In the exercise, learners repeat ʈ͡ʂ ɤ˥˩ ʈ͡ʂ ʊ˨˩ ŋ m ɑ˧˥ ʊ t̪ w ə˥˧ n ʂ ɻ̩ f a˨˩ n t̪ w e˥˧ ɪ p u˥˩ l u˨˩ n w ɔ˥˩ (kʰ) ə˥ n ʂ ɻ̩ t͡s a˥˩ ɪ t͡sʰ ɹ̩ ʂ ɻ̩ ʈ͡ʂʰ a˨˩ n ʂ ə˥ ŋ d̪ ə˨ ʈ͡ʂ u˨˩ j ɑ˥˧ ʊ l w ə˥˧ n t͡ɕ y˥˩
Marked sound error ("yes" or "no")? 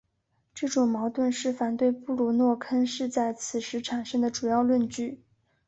no